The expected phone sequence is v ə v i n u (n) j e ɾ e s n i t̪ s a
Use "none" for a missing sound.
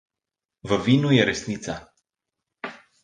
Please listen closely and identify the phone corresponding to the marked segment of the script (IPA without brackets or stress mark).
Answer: none